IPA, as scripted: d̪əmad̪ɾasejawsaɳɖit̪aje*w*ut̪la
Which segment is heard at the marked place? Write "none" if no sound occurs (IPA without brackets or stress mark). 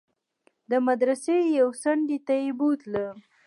b